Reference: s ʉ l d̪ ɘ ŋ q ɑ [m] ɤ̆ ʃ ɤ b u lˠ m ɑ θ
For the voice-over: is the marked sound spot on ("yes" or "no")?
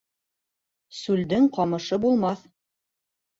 yes